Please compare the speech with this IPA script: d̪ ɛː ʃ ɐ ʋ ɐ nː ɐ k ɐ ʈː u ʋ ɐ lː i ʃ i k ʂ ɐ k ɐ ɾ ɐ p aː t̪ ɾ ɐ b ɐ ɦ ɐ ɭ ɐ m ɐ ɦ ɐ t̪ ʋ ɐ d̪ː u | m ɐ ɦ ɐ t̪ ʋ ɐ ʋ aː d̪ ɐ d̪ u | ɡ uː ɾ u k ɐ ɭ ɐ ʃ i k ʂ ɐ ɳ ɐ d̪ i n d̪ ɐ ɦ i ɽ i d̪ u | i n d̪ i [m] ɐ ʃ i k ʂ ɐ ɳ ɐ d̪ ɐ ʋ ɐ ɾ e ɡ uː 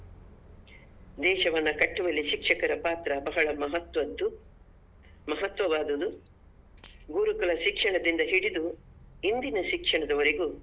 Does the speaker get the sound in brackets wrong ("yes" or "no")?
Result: yes